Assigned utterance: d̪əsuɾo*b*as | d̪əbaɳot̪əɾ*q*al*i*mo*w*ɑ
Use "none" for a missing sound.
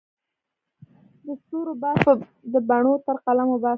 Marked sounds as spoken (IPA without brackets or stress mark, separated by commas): b, q, a, b